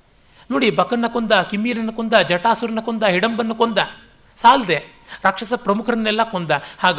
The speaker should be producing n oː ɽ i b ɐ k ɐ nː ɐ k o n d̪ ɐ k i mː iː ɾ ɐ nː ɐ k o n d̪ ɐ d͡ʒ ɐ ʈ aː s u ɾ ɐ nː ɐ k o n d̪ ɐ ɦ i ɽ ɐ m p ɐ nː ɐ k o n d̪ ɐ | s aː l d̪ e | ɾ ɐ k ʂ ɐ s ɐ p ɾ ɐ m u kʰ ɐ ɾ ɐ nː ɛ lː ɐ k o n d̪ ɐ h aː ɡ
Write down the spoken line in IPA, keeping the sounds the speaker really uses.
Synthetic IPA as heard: n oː ɽ i b ɐ k ɐ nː ɐ k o n d̪ ɐ k i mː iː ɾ ɐ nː ɐ k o n d̪ ɐ d͡ʒ ɐ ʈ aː s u ɾ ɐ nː ɐ k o n d̪ ɐ ɦ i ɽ ɐ m b ɐ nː ɐ k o n d̪ ɐ | s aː l d̪ e | ɾ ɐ k ʂ ɐ s ɐ p ɾ ɐ m u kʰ ɐ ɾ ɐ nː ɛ lː ɐ k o n d̪ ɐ h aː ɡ